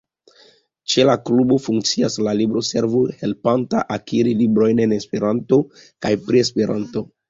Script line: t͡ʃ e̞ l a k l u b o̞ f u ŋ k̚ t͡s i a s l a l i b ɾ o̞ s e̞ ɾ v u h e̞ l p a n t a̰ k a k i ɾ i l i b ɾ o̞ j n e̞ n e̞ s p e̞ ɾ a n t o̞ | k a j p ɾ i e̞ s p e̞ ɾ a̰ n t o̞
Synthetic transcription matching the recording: t͡ʃ e̞ l a k l u b o̞ f u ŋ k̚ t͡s i a s l a l i b ɾ o̞ s e̞ ɾ v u h e̞ l p a n t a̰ ʔ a k i ɾ i l i b ɾ o̞ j n e̞ n e̞ s p e̞ ɾ a n t o̞ | k a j p ɾ i e̞ s p e̞ ɾ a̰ n t o̞